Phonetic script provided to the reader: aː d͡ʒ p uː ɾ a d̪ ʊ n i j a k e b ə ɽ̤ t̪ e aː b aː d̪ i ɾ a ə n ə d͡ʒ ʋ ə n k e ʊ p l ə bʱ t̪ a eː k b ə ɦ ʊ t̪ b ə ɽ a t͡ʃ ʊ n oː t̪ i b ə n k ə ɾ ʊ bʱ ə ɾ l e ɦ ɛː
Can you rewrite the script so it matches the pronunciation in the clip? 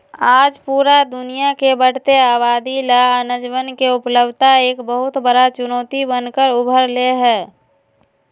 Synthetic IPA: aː d͡ʒ p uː ɾ a d̪ ʊ n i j a k e b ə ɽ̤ t̪ e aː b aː d̪ i l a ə n ə d͡ʒ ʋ ə n k e ʊ p l ə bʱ t̪ a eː k b ə ɦ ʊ t̪ b ə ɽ a t͡ʃ ʊ n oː t̪ i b ə n k ə ɾ ʊ bʱ ə ɾ l e ɦ ɛː

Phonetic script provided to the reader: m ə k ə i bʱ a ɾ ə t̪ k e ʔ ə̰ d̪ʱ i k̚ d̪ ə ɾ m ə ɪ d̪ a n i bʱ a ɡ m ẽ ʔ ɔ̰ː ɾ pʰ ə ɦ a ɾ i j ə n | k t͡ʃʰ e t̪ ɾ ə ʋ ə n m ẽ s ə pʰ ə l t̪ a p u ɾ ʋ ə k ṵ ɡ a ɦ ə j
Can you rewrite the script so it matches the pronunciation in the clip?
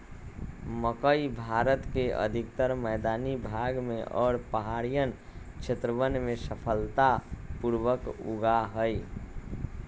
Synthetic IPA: m ə k ə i bʱ a ɾ ə t̪ k e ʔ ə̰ d̪ʱ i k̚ t̪ ə ɾ m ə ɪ d̪ a n i bʱ a ɡ m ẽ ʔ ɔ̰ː ɾ p ə ɦ a ɾ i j ə n | k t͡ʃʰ e t̪ ɾ ə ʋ ə n m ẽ s ə pʰ ə l t̪ a p u ɾ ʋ ə k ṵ ɡ a ɦ ə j

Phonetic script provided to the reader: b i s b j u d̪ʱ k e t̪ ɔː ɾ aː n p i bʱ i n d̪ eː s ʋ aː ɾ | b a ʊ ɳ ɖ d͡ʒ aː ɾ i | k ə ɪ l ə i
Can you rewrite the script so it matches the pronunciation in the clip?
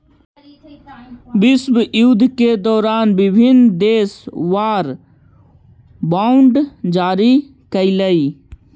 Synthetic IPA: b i s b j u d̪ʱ k e d̪ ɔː ɾ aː n b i bʱ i n d̪ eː s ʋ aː ɾ | b a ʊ ɳ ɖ d͡ʒ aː ɾ i | k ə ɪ l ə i

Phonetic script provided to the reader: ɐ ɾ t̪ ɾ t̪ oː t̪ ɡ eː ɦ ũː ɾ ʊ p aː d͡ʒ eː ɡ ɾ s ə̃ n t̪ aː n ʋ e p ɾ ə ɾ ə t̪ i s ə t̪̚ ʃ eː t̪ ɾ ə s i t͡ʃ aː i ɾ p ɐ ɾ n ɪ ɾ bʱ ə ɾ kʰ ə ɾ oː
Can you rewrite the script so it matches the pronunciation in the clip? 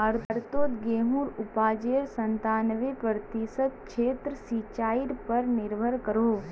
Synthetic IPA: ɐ ɾ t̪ ɾ t̪ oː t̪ ɡ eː ɦ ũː ɾ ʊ p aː d͡ʒ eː ɾ s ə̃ n t̪ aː n ʋ e p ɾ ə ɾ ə t̪ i s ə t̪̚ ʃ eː t̪ ɾ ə s i t͡ʃ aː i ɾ p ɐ ɾ n ɪ ɾ bʱ ə ɾ k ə ɾ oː

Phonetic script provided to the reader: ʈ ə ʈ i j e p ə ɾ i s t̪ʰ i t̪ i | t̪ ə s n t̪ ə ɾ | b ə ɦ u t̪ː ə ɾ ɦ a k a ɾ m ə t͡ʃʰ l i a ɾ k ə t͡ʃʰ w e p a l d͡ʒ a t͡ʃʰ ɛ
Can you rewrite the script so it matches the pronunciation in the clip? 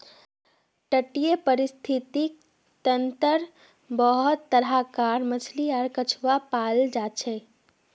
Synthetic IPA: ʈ ə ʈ i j e p ə ɾ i s t̪ʰ i t̪ i | t̪ ə n t̪ ə ɾ | b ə ɦ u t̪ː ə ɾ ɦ a k a ɾ m ə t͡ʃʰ l i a ɾ k ə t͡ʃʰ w a p a l d͡ʒ a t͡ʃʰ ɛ

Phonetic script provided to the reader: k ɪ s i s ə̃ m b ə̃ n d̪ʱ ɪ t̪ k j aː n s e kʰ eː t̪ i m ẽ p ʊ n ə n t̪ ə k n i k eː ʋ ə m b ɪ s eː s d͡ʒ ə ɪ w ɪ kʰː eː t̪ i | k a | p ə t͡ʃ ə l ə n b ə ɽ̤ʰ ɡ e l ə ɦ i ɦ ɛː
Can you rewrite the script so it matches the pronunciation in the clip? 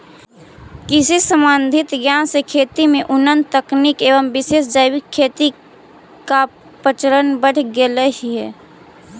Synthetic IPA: k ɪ s i s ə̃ m b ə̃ n d̪ʱ ɪ t̪ ɡ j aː n s e kʰ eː t̪ i m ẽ ʔ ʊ n ə n t̪ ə k n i k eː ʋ ə m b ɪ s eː s d͡ʒ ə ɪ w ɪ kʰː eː t̪ i | k a | p ə t͡ʃ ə ɾ ə n b ə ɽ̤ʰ ɡ e l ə ɦ i ɦ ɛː

